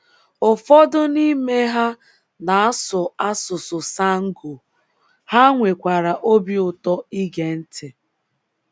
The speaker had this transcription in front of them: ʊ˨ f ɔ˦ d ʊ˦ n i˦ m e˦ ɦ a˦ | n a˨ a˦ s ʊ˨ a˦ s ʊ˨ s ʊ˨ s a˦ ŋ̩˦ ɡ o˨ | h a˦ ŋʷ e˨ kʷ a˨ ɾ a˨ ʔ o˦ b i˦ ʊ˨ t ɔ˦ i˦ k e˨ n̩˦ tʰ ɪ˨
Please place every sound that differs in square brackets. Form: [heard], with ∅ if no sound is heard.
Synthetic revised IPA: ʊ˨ f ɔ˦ d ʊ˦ n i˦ m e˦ ɦ a˦ | n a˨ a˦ s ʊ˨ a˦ s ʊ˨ s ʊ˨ s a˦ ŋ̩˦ ɡ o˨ | h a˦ ŋʷ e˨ kʷ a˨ ɾ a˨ ʔ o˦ b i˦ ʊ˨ t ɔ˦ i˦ [ɡ] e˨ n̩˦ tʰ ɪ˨